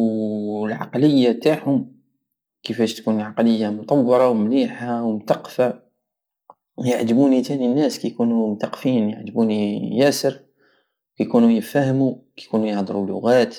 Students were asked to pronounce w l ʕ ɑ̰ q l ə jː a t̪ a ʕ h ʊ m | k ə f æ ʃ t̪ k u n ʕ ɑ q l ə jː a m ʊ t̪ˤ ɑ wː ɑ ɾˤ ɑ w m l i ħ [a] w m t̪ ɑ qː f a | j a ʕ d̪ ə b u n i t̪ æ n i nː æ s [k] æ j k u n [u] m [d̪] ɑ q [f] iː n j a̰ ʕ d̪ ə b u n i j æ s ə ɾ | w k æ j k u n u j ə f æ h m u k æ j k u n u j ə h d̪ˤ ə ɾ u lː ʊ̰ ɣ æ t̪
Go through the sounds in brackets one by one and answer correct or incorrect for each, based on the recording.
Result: correct, correct, correct, incorrect, correct

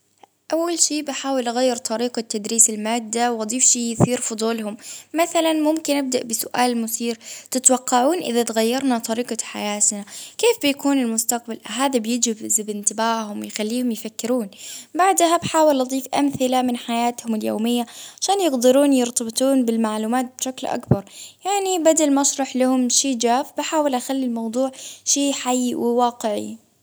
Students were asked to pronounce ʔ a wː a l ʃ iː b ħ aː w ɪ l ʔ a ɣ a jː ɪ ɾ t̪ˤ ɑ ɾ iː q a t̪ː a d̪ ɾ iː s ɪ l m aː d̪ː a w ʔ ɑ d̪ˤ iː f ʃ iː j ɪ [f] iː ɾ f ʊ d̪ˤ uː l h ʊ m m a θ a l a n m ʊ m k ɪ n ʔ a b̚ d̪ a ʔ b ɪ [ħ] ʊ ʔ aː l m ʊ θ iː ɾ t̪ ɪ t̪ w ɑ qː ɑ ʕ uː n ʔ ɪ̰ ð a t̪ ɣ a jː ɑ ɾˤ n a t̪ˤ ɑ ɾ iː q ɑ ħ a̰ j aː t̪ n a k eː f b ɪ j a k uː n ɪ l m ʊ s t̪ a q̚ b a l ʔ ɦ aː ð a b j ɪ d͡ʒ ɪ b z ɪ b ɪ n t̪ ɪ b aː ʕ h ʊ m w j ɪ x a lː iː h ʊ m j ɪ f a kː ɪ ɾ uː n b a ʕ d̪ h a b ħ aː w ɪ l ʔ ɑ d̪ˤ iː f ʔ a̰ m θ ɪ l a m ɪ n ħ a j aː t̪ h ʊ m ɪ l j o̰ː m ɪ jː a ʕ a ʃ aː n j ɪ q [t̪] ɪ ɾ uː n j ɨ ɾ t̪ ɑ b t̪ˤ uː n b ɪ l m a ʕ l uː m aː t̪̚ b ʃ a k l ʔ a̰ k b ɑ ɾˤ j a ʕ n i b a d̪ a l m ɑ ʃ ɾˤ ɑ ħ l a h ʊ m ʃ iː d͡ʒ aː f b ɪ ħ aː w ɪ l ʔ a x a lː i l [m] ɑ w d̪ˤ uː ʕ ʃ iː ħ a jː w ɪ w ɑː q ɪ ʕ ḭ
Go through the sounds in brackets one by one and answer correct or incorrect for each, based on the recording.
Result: incorrect, incorrect, incorrect, correct

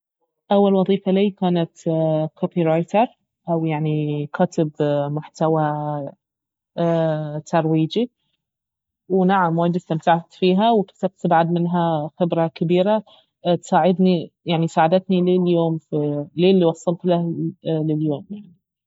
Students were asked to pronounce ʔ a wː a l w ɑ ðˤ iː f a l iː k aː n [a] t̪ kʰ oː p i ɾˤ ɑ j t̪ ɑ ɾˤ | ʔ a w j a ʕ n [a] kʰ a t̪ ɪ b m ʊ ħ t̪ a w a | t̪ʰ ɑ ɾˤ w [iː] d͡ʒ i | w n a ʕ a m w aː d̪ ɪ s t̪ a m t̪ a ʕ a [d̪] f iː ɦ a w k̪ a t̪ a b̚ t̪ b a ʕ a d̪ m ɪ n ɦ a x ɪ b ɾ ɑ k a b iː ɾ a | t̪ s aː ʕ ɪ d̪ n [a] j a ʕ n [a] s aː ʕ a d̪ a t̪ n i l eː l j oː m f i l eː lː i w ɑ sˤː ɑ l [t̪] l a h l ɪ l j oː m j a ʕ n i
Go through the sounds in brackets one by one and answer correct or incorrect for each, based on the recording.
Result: correct, incorrect, correct, incorrect, incorrect, incorrect, correct

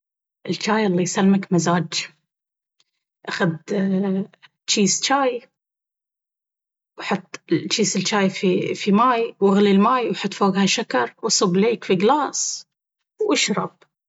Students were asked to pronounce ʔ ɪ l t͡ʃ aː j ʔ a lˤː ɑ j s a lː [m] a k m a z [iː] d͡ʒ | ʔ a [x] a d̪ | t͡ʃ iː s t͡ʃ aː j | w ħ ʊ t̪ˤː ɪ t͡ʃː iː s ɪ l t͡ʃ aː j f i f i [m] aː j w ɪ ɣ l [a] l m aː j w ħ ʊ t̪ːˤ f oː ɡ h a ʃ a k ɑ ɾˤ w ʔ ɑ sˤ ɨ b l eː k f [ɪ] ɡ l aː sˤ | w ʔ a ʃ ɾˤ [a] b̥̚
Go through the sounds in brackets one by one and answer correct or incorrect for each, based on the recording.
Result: correct, incorrect, correct, correct, incorrect, incorrect, incorrect

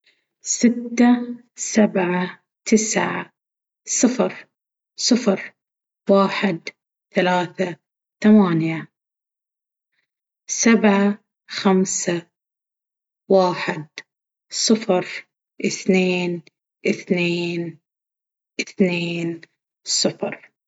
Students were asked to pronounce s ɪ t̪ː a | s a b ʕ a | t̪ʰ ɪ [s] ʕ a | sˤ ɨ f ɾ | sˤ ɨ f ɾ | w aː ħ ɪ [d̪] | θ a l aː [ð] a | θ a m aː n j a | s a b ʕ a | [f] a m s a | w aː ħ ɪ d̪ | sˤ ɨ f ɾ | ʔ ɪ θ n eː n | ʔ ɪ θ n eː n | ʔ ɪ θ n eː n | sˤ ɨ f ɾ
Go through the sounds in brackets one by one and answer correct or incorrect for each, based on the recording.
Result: correct, correct, incorrect, incorrect

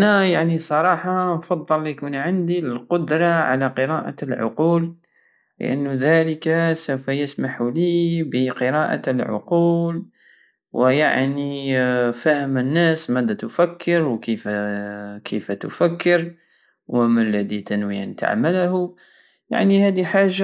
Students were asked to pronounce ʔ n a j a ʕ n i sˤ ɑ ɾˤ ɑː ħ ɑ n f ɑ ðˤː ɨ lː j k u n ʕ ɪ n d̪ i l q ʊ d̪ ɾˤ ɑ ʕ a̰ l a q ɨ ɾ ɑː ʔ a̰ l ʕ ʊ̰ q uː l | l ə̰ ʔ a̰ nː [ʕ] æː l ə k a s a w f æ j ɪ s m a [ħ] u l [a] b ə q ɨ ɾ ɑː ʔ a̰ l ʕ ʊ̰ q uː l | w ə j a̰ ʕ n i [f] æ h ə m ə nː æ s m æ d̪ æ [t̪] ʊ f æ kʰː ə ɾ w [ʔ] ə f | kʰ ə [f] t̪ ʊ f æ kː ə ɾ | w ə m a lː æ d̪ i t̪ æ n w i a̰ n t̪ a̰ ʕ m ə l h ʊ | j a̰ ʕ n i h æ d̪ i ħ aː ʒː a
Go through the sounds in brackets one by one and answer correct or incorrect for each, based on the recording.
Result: incorrect, correct, incorrect, correct, correct, incorrect, correct

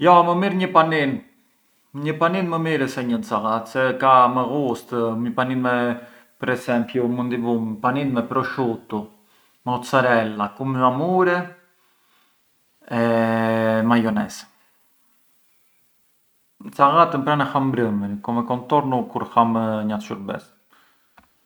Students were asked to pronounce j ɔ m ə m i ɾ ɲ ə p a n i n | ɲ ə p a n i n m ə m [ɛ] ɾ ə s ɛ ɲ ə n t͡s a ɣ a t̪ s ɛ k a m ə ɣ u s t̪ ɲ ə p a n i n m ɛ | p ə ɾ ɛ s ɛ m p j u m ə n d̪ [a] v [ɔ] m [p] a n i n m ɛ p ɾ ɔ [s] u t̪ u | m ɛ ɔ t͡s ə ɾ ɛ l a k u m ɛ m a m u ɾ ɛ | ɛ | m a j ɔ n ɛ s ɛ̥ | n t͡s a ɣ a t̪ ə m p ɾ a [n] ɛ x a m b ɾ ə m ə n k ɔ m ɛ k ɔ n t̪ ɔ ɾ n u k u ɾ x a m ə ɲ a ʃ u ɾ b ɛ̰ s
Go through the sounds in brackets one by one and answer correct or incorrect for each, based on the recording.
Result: incorrect, incorrect, incorrect, correct, incorrect, correct

